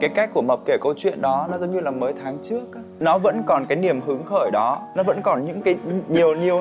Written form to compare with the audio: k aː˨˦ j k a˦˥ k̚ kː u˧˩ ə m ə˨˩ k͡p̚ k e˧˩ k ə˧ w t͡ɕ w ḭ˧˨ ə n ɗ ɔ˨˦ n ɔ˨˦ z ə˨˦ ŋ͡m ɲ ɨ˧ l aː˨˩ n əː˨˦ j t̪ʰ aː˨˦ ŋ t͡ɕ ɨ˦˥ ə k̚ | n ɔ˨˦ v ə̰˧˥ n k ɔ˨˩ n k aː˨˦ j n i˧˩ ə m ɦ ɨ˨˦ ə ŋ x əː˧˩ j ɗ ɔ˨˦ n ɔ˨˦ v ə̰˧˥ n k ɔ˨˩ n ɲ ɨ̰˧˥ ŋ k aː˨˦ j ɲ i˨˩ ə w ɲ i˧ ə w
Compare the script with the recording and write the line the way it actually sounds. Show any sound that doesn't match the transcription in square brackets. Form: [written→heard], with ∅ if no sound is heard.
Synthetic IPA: k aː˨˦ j k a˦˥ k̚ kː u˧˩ ə m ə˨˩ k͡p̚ k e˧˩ k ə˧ w t͡ɕ w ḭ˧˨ ə n ɗ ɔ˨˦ n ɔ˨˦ z ə˨˦ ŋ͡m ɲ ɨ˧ l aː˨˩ [n→m] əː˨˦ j t̪ʰ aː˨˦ ŋ t͡ɕ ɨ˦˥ ə k̚ | n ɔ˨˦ v ə̰˧˥ n k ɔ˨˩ n k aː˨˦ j n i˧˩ ə m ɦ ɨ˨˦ ə ŋ x əː˧˩ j ɗ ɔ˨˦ n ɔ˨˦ v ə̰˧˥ n k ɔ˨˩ n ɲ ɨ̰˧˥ ŋ k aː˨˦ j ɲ i˨˩ ə w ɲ [i˧→i˨˩] ə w